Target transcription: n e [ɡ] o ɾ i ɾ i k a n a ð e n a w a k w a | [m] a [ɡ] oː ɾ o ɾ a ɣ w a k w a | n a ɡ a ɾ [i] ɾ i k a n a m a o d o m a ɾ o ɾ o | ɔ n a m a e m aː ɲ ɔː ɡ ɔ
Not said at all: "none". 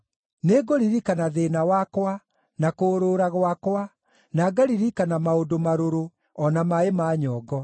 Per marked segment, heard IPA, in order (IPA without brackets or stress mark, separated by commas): ɡ, n, k, i